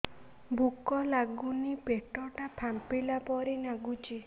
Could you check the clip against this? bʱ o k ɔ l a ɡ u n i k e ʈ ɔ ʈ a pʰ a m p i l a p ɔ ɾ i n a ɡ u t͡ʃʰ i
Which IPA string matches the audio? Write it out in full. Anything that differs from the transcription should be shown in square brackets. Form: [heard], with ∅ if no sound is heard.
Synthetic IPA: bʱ [u] k ɔ l a ɡ u n i [p] e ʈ ɔ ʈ a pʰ a m p i l a p ɔ ɾ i n a ɡ u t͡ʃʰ i